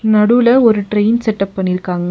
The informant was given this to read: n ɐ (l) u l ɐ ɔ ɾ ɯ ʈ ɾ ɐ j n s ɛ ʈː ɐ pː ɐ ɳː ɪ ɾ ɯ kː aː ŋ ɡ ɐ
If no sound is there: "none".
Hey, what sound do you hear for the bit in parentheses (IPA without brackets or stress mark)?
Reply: ɽ